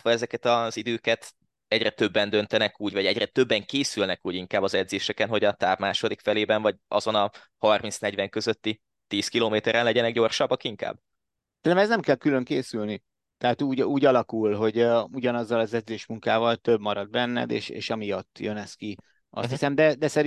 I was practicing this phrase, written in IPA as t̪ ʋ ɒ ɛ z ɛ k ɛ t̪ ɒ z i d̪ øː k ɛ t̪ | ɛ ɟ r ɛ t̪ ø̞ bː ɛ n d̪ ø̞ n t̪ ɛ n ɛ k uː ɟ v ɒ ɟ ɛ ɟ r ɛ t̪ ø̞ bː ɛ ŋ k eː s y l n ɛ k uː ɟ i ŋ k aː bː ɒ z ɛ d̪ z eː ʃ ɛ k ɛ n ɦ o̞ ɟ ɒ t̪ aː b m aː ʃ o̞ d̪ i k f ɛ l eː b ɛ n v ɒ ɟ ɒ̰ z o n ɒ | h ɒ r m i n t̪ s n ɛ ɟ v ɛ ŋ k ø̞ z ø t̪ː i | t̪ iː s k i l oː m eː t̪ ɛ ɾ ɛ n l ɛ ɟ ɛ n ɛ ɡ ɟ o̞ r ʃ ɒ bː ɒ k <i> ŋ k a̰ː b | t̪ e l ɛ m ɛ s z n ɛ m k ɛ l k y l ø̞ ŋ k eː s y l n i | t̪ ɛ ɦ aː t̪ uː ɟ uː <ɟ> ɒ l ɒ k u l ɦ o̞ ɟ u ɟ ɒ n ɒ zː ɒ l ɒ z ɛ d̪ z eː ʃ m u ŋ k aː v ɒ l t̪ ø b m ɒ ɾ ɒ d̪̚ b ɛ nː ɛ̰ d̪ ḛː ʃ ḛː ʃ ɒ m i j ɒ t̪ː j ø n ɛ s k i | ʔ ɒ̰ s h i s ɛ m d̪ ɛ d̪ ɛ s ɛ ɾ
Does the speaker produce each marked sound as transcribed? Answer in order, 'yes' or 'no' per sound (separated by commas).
yes, yes